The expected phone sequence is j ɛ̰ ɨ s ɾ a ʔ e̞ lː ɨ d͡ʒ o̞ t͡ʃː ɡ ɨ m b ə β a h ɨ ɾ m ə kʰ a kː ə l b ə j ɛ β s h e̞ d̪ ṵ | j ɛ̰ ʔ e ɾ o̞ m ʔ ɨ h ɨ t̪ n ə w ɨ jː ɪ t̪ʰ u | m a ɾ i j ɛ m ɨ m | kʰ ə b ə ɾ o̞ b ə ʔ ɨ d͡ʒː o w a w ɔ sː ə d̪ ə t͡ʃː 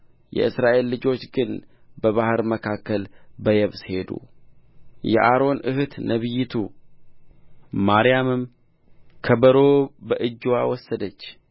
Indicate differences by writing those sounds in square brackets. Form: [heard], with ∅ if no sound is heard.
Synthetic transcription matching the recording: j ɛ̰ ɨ s ɾ a ʔ e̞ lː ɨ d͡ʒ o̞ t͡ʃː ɡ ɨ [n] b ə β a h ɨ ɾ m ə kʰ a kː ə l b ə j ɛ β s h e̞ d̪ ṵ | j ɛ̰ ʔ [a] ɾ o̞ [n] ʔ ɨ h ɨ t̪ n ə [β] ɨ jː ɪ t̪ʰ u | m a ɾ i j [a] m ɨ m | kʰ ə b ə ɾ o̞ b ə ʔ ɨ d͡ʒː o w a w ɔ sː ə d̪ ə t͡ʃː